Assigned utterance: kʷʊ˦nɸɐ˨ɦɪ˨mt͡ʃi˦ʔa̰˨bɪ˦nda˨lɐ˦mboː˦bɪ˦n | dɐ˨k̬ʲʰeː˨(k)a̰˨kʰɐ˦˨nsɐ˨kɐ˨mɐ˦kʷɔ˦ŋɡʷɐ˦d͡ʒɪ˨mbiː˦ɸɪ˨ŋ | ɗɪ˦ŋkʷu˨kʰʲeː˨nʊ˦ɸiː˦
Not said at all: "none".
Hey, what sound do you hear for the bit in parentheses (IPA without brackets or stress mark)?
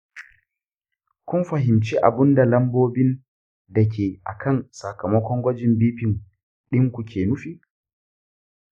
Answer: ʔ